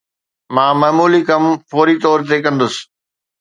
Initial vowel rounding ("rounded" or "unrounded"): unrounded